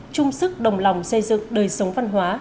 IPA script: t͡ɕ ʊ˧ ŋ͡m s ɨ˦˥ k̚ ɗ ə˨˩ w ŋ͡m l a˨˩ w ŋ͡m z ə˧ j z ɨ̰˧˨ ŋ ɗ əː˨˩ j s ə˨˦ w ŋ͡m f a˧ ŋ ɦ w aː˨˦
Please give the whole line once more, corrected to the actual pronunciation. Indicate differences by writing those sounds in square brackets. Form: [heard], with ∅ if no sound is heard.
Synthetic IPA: t͡ɕ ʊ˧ ŋ͡m s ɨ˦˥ k̚ ɗ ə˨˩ w ŋ͡m l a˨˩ w ŋ͡m [s] ə˧ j z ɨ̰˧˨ ŋ ɗ əː˨˩ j s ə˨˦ w ŋ͡m [v] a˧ [n] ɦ w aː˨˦